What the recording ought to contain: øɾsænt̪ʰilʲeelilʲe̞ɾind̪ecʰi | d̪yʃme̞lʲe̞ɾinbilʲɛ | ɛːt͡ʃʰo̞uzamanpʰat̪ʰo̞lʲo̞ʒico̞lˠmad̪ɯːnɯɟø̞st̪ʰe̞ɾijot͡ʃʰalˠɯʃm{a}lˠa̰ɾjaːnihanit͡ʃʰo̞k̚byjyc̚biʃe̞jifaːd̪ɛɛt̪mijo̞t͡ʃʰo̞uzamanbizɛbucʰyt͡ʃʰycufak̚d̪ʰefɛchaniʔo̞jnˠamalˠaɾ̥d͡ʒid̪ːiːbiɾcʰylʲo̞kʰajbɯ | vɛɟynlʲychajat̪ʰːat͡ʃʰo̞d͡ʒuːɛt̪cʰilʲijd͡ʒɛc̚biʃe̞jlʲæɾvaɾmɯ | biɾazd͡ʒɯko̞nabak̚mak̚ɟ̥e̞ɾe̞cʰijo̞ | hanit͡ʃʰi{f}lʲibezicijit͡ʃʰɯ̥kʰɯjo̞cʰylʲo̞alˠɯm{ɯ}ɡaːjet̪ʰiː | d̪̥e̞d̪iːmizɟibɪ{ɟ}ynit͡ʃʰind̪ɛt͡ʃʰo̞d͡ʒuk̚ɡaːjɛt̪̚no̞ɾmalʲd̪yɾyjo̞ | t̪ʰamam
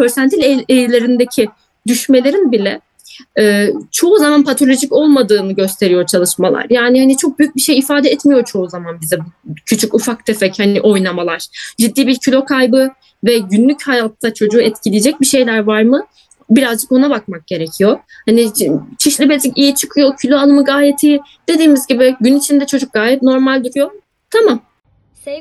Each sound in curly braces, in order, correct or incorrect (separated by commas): correct, incorrect, correct, correct